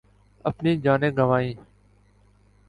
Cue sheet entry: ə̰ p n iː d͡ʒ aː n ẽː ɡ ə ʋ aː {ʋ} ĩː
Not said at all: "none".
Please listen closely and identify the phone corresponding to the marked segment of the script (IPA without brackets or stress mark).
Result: none